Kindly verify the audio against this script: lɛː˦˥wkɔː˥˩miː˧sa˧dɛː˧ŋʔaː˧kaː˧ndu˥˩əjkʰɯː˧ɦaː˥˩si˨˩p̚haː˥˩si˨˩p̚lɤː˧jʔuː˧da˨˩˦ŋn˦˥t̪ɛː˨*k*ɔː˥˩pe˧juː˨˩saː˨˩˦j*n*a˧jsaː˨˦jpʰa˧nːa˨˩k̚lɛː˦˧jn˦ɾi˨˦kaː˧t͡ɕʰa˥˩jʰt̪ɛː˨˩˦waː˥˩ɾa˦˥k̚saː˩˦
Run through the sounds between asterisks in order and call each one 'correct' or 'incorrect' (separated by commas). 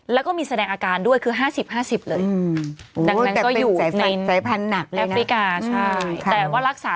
correct, correct